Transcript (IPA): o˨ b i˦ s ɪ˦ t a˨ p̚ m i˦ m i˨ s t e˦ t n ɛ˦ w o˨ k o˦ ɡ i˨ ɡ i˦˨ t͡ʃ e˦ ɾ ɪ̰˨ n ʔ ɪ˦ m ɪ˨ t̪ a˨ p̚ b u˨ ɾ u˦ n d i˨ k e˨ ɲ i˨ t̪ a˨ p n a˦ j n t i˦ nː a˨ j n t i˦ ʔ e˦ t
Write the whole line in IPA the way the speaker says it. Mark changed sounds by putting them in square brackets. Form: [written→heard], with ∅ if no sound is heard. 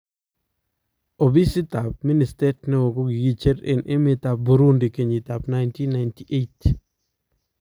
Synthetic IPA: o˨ b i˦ s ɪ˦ t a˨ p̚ m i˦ [m→n] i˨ s t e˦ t n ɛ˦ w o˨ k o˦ ɡ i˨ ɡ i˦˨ t͡ʃ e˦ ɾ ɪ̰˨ n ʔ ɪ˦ m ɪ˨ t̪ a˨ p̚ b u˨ ɾ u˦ n d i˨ k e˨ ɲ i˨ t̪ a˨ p n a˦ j n t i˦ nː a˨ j n t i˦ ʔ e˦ t